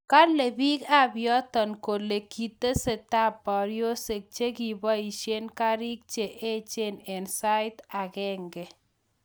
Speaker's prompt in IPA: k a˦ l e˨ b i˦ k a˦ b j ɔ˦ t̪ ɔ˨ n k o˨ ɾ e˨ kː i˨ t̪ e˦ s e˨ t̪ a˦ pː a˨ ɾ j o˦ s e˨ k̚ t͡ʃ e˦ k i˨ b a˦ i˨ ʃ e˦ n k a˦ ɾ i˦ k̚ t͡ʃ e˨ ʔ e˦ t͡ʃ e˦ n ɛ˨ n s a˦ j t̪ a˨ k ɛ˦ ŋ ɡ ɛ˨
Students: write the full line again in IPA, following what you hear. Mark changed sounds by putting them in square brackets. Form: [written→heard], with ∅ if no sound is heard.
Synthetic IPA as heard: k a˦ l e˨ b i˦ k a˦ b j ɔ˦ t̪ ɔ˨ n k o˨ [ɾ→l] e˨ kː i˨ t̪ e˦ s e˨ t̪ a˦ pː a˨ ɾ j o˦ s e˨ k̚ t͡ʃ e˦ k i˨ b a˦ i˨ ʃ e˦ n k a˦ ɾ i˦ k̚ t͡ʃ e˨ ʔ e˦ t͡ʃ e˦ n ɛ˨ n s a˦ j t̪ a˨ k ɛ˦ ŋ ɡ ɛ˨

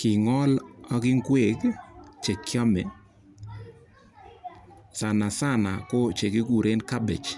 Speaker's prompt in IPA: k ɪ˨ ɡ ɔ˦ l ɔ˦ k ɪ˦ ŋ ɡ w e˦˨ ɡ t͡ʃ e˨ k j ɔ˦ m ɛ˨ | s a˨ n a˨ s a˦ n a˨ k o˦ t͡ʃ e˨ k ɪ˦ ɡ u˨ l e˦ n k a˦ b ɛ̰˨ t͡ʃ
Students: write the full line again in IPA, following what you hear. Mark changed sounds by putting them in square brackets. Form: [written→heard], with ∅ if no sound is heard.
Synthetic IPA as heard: k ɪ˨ [ɡ→ŋ] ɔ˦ l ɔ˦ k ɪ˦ ŋ ɡ w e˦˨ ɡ t͡ʃ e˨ k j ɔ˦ m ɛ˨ | s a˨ n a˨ s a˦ n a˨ k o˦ t͡ʃ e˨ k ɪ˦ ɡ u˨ [l→ɾ] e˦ n k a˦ b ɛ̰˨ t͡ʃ

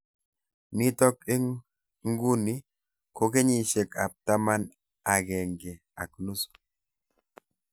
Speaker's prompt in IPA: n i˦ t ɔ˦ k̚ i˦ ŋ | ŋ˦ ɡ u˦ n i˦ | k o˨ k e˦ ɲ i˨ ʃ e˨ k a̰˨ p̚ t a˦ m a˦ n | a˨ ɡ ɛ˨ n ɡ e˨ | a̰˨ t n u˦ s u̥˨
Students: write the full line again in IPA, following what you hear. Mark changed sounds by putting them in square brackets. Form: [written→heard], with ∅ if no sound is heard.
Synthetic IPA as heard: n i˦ t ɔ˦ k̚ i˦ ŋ | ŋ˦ ɡ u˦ n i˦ | k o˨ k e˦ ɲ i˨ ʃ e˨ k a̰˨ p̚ t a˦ m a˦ n | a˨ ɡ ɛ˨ [n→ŋ] ɡ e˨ | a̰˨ [t→k] n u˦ s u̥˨

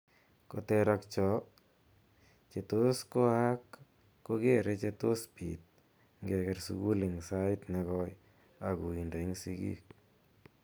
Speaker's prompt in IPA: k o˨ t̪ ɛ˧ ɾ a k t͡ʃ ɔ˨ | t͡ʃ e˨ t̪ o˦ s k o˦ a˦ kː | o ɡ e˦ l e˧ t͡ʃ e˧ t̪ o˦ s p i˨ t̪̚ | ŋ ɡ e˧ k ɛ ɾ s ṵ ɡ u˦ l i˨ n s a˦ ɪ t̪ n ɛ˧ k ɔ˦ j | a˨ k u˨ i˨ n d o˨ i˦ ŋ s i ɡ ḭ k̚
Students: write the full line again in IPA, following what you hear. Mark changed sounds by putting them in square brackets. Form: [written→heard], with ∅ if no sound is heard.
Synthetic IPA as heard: k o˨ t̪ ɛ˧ ɾ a k t͡ʃ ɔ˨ | t͡ʃ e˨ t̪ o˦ s k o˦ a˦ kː | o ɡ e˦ [l→ɾ] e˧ t͡ʃ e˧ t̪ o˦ s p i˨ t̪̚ | ŋ ɡ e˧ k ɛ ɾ s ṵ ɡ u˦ l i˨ [n→ŋ] s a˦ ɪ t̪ n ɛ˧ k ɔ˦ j | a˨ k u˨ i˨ n d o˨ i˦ ŋ s i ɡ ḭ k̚

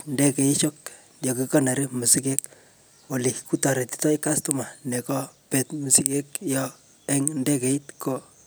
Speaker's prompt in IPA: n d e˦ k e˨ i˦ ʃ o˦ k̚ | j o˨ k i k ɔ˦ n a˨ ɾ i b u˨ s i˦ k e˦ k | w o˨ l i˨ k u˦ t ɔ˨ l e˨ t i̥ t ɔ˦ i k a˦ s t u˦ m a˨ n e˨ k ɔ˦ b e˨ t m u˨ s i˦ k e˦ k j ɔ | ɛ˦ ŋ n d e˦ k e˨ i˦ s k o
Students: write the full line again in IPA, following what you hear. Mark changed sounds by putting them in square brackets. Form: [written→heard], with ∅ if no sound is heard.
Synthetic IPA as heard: n d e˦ k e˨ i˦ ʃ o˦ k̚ | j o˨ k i k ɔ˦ n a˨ ɾ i [b→m] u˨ s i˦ k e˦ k | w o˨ l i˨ k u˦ t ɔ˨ [l→ɾ] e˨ t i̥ t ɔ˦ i k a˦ s t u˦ m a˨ n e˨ k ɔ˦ [b→p] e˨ t m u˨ s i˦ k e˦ k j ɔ | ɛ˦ ŋ n d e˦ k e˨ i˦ [s→t] k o

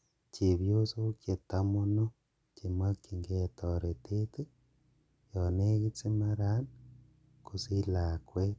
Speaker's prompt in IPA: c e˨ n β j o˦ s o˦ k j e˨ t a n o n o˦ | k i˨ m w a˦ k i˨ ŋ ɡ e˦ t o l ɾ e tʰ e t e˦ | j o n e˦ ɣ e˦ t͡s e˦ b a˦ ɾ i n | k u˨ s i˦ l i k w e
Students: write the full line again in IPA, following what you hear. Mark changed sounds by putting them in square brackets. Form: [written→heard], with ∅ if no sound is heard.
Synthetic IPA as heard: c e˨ [n→∅] β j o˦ s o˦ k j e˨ t a [n→m] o n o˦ | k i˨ m w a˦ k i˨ ŋ ɡ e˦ t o [l→∅] ɾ e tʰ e t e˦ | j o n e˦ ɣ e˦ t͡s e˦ [b→m] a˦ ɾ [i→a] n | k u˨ s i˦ l [i→a] k w e

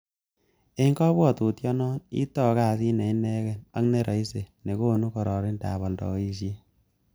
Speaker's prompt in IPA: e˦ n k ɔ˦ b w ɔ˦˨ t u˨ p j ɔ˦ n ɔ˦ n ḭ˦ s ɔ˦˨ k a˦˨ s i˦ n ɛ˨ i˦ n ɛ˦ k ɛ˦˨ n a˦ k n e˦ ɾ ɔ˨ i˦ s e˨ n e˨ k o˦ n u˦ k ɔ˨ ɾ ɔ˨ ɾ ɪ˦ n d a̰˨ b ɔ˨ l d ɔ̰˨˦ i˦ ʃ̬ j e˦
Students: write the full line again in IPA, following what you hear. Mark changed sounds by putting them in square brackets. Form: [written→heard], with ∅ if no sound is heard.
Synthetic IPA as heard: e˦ [n→ŋ] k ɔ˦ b w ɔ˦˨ t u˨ [p→t] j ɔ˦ n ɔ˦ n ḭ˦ [s→t] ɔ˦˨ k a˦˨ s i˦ n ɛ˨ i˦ n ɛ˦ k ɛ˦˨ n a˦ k n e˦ ɾ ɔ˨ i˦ s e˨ n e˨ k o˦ n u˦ k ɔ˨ ɾ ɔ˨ ɾ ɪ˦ n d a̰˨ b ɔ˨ l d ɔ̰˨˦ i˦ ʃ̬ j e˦

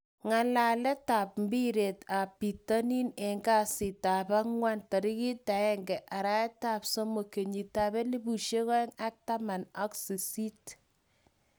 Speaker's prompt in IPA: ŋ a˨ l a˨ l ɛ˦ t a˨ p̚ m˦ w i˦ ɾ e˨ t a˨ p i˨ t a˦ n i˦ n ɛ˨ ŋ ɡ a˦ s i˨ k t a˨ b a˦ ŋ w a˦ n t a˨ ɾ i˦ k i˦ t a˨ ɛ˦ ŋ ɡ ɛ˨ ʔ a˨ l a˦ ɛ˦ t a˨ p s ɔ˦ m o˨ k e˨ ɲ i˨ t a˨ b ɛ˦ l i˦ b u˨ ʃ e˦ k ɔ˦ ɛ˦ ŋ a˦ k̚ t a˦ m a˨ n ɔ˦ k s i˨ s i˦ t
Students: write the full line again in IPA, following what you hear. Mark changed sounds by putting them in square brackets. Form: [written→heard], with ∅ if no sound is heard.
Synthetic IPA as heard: ŋ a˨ l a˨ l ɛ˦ t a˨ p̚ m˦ [w→b] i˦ ɾ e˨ t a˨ p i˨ t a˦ n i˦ n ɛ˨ ŋ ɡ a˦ s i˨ [k→∅] t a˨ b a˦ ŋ w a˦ n t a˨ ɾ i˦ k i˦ t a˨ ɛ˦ ŋ ɡ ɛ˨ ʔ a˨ [l→ɾ] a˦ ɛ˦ t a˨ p s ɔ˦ m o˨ k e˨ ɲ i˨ t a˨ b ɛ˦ l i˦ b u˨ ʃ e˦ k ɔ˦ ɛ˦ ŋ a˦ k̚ t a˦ m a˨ n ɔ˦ k s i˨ s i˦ t

